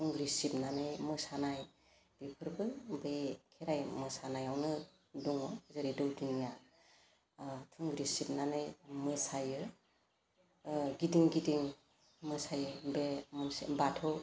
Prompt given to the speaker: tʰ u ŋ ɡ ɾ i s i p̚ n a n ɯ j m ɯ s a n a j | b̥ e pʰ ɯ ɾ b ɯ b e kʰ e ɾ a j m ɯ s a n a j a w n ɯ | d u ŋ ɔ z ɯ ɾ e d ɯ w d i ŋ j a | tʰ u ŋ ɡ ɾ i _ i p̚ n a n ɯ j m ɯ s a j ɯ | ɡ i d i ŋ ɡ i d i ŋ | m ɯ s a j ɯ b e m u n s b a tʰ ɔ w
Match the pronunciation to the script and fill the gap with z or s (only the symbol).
s